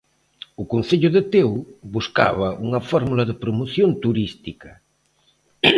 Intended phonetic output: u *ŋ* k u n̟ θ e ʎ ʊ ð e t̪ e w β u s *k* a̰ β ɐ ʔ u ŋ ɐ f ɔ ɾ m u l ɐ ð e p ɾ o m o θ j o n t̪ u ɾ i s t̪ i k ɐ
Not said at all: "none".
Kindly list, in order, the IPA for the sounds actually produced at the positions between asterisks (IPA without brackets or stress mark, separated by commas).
none, k